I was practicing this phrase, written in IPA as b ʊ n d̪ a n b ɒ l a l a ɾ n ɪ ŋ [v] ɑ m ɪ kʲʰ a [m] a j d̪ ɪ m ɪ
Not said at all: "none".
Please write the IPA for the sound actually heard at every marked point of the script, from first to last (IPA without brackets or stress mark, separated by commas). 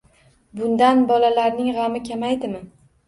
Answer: ʁ, m